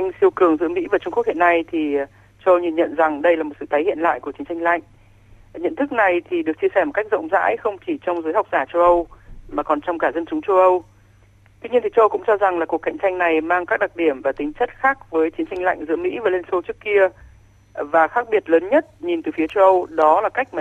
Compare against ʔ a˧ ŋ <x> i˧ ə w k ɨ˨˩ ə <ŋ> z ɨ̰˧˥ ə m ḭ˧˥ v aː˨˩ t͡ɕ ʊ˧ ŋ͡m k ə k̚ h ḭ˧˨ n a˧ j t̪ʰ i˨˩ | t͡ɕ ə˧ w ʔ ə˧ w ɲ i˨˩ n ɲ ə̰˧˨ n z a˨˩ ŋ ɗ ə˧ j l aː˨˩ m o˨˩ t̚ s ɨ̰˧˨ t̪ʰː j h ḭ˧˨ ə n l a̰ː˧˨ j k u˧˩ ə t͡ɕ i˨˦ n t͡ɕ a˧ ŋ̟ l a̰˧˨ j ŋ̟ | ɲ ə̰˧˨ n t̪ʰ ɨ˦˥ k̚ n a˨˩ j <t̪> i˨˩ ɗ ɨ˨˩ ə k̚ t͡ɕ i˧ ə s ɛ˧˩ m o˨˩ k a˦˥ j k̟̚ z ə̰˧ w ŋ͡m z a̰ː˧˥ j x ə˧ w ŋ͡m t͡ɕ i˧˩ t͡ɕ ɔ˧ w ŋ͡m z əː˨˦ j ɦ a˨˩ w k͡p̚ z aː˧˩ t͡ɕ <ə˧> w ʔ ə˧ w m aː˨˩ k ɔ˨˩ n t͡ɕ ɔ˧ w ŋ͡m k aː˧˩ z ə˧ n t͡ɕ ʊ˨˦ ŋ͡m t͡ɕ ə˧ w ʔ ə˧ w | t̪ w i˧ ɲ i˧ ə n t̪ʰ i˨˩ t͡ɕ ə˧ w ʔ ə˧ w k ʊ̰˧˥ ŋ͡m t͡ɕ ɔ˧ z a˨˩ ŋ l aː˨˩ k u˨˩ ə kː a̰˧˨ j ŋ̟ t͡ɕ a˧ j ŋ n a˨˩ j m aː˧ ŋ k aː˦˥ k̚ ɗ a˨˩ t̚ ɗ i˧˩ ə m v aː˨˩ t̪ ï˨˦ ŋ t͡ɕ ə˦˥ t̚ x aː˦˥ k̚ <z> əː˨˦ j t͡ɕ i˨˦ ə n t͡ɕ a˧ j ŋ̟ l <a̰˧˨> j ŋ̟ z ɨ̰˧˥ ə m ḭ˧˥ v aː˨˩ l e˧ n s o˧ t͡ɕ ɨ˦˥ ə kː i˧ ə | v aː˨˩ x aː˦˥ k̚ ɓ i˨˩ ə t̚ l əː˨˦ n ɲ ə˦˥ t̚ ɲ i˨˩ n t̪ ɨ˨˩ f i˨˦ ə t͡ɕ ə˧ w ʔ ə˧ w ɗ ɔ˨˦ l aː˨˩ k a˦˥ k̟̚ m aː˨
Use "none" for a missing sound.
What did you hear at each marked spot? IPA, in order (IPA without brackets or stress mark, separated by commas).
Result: s, ŋ, t̪ʰ, ə˧, v, a̰˧˨